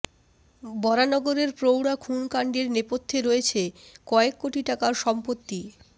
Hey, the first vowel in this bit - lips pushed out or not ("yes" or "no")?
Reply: yes